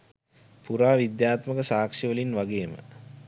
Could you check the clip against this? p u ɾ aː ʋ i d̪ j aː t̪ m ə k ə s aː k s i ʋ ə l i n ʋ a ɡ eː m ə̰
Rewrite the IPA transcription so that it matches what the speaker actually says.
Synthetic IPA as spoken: p u ɾ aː ʋ i d̪ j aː t̪ m ə k ə s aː k ʂ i ʋ ə l i n ʋ a ɡ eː m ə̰